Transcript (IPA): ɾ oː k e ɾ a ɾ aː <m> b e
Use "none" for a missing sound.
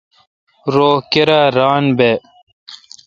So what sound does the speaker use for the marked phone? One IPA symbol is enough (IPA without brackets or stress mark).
n